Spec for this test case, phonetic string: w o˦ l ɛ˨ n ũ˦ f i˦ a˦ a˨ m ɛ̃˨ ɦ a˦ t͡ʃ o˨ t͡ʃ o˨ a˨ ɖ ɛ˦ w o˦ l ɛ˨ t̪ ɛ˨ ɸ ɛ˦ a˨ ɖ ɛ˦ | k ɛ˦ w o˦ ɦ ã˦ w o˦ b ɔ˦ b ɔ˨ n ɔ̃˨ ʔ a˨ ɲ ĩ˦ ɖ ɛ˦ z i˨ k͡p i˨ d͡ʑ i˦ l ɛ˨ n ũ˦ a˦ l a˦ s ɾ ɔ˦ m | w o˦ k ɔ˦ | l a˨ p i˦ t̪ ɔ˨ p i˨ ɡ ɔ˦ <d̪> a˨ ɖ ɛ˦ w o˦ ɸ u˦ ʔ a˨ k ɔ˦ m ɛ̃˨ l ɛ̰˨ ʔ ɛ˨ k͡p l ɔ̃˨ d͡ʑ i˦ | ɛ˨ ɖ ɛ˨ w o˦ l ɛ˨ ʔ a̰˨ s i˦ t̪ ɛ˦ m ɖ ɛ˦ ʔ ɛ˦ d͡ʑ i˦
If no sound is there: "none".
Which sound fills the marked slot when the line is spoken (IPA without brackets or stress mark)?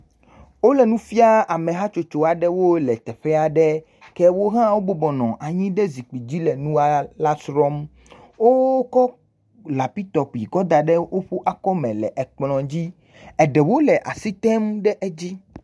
d̪